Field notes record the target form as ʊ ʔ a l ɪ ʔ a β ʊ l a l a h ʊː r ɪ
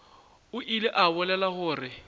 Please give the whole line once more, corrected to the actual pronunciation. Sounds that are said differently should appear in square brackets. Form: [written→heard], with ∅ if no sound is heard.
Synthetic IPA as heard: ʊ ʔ [a→i] l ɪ ʔ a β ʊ l [a→ɛ] l a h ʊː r ɪ